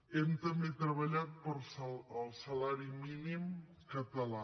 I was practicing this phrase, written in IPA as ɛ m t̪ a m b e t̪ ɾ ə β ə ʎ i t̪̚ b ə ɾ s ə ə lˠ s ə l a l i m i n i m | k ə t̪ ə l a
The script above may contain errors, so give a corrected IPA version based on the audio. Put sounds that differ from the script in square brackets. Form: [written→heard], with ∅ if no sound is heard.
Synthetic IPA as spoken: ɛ m t̪ [a→ə] m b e t̪ ɾ ə β ə ʎ [i→a] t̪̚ [b→p] ə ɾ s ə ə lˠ s ə l a [l→ɾ] i m i n i m | k ə t̪ ə l a